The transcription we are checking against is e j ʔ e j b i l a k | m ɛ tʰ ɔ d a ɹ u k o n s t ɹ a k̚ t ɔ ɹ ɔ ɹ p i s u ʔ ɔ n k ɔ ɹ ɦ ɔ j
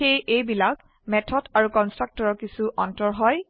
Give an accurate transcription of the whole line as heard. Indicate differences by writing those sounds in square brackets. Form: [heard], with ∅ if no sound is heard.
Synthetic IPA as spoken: e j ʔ e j b i l a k | m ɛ tʰ ɔ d a ɹ u k [ɔ] n s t ɹ a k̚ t ɔ ɹ ɔ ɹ [k] i s u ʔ ɔ n [t] ɔ ɹ ɦ ɔ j